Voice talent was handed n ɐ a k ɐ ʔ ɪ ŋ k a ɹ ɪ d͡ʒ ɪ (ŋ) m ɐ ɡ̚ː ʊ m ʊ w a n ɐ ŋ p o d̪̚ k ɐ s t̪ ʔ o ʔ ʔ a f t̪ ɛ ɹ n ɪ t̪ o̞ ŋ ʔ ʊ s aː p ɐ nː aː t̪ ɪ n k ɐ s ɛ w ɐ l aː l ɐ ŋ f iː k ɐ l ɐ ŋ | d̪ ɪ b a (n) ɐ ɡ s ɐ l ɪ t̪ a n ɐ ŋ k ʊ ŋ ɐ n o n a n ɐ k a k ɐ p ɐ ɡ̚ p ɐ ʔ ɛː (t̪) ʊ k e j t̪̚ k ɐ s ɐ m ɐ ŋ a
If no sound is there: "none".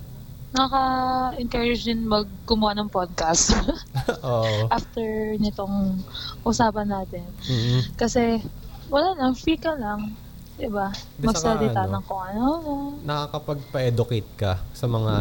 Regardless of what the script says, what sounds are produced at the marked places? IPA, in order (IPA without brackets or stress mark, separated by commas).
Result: n, m, d̪